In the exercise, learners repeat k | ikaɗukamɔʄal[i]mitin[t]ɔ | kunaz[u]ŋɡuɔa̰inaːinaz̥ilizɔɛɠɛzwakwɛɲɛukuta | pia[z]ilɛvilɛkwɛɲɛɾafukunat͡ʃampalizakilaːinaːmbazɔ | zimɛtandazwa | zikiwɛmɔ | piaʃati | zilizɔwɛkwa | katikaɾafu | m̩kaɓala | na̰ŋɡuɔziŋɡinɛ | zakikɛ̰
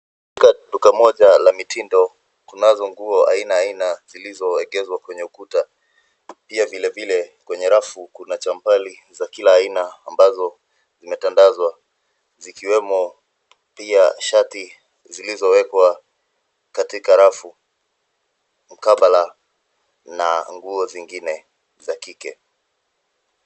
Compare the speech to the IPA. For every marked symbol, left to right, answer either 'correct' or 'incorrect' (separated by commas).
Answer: incorrect, incorrect, incorrect, incorrect